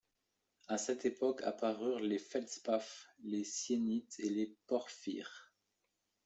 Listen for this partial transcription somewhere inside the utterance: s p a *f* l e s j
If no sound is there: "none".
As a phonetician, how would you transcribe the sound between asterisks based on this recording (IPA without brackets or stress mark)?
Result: f